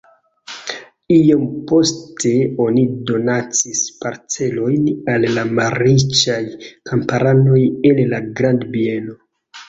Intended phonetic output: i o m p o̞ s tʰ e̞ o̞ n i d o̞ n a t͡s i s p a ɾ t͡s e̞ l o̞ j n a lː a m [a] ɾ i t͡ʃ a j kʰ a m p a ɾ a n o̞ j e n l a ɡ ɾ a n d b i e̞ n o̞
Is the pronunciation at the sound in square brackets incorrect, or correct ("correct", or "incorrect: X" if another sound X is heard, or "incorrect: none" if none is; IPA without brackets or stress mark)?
correct